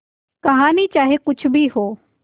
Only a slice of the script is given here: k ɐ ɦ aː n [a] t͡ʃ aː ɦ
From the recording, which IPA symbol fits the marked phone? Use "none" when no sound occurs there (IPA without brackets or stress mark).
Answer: i